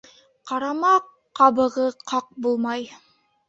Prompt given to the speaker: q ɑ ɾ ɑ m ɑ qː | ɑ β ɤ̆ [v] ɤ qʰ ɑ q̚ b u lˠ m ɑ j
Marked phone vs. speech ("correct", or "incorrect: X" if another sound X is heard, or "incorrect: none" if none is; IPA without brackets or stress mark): incorrect: ʁ